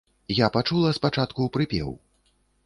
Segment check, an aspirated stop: absent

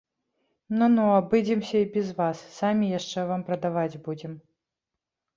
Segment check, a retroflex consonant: present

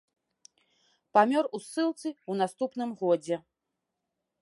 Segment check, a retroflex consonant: absent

